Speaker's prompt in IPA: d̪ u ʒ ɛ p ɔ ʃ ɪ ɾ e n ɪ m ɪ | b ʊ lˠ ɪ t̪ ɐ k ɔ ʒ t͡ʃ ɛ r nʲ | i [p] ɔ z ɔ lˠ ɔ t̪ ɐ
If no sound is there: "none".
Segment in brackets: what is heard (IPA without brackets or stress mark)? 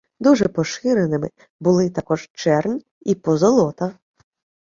p